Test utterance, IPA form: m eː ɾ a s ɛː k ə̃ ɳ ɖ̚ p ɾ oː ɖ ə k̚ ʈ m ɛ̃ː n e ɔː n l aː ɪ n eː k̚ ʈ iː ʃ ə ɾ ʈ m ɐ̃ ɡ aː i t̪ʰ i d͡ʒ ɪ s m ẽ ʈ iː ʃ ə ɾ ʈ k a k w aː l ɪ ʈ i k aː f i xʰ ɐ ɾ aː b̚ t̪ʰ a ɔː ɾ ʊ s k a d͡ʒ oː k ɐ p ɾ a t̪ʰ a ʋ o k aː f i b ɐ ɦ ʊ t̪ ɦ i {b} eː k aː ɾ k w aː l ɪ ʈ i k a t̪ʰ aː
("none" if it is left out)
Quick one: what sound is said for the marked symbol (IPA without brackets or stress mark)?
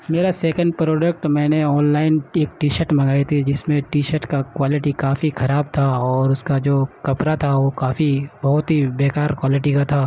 b